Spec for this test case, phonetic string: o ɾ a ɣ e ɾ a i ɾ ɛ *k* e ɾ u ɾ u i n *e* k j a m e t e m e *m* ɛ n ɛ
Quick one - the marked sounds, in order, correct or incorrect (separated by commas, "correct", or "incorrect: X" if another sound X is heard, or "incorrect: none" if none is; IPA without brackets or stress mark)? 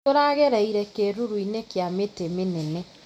correct, correct, incorrect: n